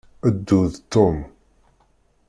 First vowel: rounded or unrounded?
unrounded